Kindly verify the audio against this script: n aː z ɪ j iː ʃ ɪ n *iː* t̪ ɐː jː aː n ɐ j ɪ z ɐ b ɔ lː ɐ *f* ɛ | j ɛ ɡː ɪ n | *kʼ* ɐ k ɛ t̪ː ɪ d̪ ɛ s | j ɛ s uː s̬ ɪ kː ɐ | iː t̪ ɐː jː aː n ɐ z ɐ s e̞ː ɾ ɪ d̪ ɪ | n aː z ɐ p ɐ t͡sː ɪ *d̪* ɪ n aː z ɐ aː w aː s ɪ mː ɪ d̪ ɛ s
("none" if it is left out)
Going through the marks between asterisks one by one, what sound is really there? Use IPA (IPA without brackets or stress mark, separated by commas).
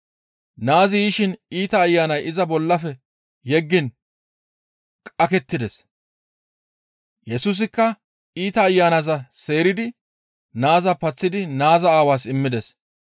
iː, f, kʼ, d̪